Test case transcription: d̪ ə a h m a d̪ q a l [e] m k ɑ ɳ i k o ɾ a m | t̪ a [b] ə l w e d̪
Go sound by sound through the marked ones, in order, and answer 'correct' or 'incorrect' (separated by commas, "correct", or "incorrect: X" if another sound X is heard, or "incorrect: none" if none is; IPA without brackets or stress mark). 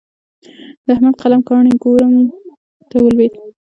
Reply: incorrect: a, incorrect: w